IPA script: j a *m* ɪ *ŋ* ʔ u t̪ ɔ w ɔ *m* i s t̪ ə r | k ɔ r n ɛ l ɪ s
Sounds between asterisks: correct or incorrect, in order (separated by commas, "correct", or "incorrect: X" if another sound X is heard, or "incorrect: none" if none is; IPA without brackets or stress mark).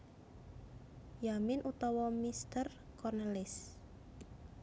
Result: correct, incorrect: n, correct